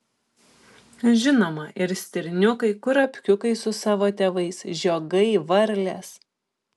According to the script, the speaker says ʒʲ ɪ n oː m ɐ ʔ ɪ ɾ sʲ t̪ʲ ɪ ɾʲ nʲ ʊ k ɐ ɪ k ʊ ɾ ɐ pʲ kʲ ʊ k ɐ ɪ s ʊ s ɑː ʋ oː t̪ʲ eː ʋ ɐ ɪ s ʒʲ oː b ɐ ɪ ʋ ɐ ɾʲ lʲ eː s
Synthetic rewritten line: ʒʲ ɪ n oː m ɐ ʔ ɪ ɾ sʲ t̪ʲ ɪ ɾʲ nʲ ʊ k ɐ ɪ k ʊ ɾ ɐ pʲ kʲ ʊ k ɐ ɪ s ʊ s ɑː ʋ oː t̪ʲ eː ʋ ɐ ɪ s ʒʲ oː ɡ ɐ ɪ ʋ ɐ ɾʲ lʲ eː s